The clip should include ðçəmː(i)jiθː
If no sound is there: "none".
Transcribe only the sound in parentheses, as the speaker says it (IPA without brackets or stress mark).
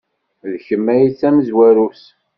æ